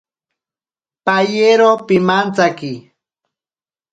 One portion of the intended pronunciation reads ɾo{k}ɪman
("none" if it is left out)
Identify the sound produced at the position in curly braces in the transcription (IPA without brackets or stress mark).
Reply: p